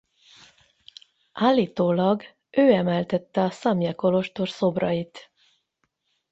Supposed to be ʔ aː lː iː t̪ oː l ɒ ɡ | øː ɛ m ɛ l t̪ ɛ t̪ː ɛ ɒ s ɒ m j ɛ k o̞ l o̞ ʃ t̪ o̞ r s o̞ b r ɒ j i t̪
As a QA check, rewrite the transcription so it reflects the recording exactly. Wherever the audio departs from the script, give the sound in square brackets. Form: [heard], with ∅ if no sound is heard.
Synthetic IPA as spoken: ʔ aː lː iː t̪ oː l ɒ ɡ | øː ɛ m ɛ l t̪ ɛ t̪ː ɛ ɒ s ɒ m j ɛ k o̞ l o̞ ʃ t̪ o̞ r s o̞ b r ɒ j i t̪